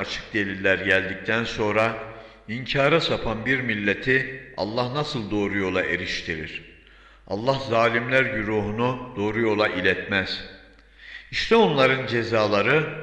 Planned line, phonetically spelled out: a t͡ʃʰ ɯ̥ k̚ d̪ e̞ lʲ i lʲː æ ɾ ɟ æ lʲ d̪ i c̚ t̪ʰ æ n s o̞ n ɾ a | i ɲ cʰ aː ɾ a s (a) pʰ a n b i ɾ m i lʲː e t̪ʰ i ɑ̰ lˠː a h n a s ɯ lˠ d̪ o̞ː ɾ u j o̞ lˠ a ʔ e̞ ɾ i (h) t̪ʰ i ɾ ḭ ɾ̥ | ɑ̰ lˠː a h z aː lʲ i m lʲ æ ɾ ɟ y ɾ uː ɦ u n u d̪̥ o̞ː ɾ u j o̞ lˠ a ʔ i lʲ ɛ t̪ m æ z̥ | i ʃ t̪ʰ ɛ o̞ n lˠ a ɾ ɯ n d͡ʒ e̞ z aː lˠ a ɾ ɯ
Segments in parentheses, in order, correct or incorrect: correct, incorrect: ʃ

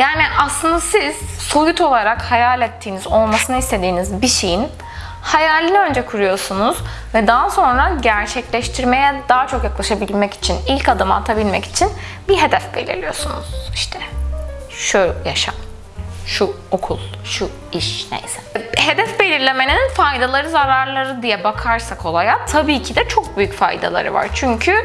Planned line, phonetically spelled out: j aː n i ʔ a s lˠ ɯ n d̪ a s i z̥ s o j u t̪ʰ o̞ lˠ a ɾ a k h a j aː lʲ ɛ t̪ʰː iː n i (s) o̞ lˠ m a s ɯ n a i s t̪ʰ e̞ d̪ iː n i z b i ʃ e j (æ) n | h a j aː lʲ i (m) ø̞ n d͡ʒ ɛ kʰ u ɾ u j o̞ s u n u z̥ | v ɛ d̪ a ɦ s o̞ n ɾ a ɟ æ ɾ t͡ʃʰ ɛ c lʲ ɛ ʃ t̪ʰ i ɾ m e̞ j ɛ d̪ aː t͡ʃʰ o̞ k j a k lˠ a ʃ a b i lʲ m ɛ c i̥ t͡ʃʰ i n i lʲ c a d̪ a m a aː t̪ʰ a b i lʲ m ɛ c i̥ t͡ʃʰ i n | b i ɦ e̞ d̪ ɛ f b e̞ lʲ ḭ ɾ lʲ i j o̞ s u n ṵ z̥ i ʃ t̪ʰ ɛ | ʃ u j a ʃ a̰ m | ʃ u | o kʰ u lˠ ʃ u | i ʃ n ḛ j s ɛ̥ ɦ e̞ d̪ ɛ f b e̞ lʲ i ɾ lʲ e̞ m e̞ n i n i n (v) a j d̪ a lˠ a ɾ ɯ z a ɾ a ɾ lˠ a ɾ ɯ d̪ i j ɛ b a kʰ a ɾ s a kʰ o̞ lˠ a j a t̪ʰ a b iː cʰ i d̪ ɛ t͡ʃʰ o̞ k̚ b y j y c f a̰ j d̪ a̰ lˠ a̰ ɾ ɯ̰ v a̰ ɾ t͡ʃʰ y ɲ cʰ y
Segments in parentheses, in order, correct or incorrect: incorrect: z, incorrect: i, incorrect: n, incorrect: f

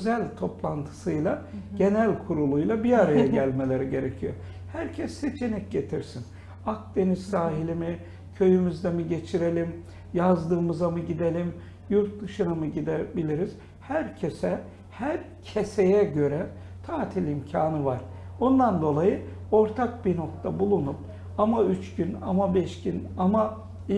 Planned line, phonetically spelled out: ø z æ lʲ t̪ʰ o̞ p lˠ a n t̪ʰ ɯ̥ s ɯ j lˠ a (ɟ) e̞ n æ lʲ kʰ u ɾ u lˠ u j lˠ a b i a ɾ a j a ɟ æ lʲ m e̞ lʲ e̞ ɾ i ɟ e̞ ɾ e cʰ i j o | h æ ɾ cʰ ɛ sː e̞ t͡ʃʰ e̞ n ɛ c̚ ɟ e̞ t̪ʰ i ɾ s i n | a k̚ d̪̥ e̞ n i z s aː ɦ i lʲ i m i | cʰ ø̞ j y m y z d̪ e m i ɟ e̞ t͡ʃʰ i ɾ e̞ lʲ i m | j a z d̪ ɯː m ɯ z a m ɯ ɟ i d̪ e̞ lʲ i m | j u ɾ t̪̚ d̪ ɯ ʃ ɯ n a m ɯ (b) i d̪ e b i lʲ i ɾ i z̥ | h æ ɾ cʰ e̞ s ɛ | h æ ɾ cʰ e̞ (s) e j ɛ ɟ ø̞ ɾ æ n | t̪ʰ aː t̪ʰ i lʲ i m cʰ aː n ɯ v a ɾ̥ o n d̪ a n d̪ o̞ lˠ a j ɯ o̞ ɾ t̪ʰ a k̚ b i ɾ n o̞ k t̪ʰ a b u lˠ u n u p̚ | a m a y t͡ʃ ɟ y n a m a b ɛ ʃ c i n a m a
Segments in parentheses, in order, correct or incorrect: correct, incorrect: ɟ, correct

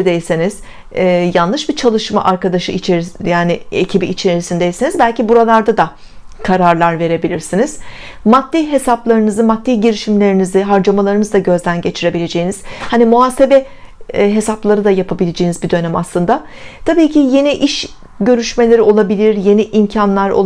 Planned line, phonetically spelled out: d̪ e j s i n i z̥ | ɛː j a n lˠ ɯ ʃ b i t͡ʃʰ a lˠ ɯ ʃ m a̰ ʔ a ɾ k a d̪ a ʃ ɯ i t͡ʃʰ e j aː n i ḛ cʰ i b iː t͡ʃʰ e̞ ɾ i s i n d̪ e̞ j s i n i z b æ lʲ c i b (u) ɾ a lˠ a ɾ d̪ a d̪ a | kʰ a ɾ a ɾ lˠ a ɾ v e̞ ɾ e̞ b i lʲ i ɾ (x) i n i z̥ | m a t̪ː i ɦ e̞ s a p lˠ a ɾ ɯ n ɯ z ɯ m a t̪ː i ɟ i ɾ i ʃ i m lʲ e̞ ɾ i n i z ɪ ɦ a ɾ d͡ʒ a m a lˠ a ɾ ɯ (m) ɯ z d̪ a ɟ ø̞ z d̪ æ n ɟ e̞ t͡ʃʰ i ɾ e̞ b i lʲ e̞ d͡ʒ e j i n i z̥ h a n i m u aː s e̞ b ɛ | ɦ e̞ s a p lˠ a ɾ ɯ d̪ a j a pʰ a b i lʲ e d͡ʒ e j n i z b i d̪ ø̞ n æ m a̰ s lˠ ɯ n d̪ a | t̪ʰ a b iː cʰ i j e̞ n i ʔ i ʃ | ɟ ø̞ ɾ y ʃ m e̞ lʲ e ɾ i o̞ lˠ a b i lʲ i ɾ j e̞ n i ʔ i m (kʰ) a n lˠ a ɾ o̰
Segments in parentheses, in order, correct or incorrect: correct, incorrect: s, incorrect: n, incorrect: cʰ

